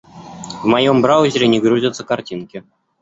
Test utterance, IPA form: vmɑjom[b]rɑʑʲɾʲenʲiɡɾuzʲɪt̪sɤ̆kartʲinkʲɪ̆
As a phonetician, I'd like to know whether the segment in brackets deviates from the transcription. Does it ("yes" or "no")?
no